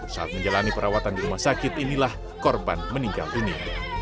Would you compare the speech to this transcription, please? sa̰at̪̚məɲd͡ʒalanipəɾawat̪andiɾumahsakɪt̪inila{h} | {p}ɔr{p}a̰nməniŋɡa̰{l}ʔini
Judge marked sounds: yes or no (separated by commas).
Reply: yes, no, no, yes